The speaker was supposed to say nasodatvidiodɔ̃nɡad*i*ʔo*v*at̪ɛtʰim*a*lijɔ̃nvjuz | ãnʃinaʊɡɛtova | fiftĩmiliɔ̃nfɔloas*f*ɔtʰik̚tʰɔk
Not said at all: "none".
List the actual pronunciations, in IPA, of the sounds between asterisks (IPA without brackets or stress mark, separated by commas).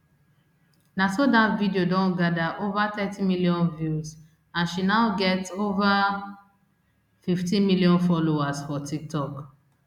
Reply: a, v, i, f